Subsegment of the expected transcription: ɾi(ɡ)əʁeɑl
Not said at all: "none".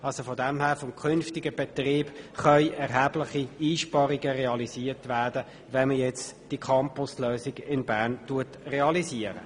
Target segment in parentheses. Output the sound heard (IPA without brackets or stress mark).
ɡ